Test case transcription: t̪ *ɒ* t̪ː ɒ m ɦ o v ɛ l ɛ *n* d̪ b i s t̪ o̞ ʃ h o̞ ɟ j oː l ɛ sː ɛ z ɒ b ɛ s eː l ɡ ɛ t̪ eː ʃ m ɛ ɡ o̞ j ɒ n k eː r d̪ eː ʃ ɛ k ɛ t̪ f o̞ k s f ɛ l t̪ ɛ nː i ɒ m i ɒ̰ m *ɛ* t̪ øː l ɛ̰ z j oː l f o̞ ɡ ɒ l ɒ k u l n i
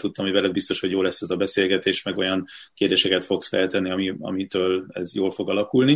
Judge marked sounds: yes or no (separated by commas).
no, no, no